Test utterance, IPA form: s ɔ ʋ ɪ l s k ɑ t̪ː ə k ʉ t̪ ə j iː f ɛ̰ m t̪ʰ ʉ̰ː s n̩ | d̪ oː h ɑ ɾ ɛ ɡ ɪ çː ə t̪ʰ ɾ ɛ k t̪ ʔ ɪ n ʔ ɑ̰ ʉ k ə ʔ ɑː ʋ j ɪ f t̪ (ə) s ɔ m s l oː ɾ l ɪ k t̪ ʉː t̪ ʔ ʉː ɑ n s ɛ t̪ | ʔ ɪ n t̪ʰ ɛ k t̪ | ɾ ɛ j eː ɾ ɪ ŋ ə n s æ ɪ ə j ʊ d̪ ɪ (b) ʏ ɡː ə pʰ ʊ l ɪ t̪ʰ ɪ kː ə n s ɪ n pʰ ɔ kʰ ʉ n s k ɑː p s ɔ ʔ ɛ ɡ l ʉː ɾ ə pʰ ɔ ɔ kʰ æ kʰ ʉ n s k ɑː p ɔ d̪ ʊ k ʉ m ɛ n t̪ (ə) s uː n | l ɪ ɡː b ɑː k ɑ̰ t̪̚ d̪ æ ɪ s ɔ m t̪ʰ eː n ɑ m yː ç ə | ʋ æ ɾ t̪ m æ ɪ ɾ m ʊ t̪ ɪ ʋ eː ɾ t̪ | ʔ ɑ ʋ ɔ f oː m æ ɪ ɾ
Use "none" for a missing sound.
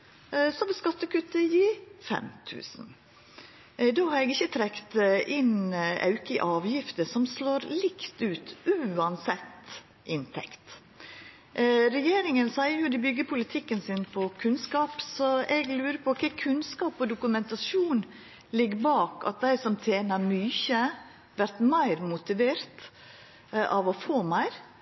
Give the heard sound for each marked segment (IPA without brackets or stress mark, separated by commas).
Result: ə, b, ɑ